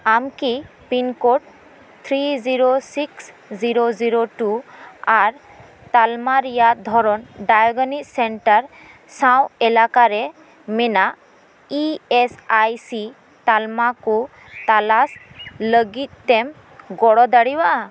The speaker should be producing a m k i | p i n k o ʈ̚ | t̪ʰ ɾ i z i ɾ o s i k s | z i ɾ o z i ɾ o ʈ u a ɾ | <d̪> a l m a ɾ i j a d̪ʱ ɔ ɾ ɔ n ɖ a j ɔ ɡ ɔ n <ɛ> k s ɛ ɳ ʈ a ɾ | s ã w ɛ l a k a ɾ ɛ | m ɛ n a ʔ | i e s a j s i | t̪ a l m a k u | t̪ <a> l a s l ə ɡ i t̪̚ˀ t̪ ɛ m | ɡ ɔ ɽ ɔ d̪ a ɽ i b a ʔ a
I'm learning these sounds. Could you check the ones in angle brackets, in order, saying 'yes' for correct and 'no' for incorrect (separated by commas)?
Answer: no, no, yes